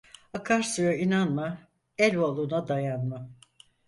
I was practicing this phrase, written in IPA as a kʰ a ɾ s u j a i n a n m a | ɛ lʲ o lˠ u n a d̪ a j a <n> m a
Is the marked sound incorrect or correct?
correct